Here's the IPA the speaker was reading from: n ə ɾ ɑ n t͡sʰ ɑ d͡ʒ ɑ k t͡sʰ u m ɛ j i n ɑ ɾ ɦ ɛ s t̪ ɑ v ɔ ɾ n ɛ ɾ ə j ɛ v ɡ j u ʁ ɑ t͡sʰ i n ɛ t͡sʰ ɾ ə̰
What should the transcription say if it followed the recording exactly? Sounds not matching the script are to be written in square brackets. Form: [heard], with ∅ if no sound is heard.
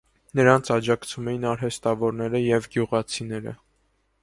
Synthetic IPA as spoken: n ə ɾ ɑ n t͡sʰ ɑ d͡ʒ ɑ k t͡sʰ u m ɛ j i n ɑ ɾ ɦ ɛ s t̪ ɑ v ɔ ɾ n ɛ ɾ ə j ɛ v ɡ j u ʁ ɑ t͡sʰ i n ɛ [∅] ɾ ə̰